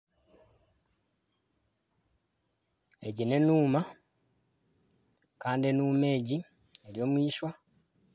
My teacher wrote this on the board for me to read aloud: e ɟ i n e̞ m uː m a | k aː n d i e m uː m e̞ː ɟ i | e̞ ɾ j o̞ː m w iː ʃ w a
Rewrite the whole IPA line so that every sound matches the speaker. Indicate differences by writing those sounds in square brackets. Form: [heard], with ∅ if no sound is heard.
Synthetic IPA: e ɟ i n e̞ [n] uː m a | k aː n d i e [n] uː m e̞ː ɟ i | e̞ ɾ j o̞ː m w iː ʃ w a